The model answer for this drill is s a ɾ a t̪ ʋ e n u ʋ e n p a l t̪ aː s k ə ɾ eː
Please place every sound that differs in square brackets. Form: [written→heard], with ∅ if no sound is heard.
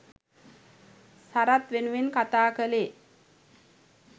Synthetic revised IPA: s a ɾ a t̪ ʋ e n u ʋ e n [p→k] a [l→∅] t̪ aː [s→∅] k ə [ɾ→l] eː